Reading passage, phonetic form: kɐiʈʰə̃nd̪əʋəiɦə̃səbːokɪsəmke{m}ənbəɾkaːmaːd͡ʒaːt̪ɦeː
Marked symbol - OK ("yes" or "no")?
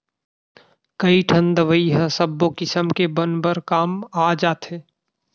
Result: no